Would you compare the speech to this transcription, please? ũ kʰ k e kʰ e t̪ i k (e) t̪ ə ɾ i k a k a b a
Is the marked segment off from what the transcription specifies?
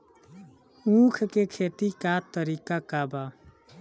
yes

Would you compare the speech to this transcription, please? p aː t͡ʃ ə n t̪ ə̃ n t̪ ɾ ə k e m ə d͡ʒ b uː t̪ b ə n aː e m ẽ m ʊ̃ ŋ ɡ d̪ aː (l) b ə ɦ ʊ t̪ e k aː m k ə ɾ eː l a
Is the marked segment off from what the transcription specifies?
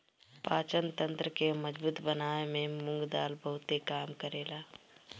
no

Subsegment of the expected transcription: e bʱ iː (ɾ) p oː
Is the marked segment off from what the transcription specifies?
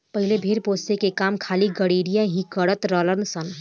no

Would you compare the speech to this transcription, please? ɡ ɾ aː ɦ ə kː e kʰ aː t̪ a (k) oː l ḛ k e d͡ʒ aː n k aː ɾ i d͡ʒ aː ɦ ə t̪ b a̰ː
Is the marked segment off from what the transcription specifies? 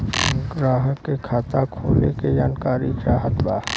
yes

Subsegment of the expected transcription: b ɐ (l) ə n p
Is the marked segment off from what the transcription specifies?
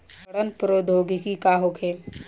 yes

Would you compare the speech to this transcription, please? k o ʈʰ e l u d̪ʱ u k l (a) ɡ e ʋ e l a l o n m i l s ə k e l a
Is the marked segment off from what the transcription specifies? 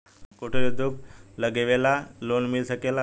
yes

